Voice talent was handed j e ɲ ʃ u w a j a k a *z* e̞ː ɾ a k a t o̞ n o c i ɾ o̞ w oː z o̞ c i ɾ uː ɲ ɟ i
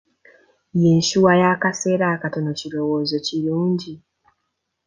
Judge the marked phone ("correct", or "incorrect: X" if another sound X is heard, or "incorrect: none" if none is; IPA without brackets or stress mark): incorrect: s